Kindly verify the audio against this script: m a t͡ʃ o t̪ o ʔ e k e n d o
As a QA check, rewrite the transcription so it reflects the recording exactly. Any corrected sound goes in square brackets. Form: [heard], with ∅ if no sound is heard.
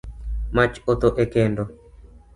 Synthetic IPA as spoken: m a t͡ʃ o t̪ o ʔ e k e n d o